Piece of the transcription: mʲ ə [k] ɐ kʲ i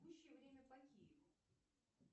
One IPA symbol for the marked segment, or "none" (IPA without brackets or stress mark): p